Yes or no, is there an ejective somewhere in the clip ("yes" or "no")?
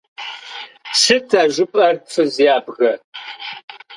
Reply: yes